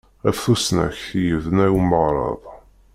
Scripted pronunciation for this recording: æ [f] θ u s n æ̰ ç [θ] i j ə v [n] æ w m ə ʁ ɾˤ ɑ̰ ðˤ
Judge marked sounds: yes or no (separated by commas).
yes, yes, yes